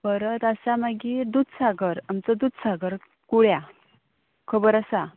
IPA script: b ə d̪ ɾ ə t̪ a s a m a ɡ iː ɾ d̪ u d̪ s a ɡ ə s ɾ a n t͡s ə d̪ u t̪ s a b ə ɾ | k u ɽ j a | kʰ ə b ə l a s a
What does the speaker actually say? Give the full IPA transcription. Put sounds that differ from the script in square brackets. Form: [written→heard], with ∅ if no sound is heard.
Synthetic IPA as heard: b ə [d̪→∅] ɾ ə t̪ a s a m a ɡ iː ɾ d̪ u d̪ s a ɡ ə [s→∅] ɾ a [n→m] t͡s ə d̪ u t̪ s a [b→ɡ] ə ɾ | k u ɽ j a | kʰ ə b ə [l→ɾ] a s a